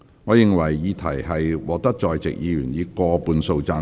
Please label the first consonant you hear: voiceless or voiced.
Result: voiced